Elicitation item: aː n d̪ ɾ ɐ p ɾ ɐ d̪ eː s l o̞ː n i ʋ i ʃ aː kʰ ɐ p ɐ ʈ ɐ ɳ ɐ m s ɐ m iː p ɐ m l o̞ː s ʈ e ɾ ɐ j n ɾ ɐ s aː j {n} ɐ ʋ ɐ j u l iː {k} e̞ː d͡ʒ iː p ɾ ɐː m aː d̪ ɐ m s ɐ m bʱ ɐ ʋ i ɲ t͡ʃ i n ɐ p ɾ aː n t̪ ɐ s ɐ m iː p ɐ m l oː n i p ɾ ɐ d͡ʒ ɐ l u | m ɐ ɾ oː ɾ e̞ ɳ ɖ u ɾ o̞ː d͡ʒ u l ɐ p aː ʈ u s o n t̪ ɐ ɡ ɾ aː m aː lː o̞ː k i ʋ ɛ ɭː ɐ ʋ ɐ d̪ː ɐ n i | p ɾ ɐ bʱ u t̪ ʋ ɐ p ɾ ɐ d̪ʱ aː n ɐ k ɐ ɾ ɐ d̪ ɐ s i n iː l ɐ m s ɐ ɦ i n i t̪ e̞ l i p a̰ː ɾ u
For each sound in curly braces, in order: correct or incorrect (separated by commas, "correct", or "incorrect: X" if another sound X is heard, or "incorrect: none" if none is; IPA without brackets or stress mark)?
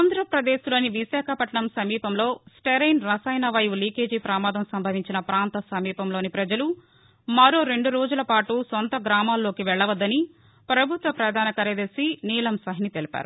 correct, correct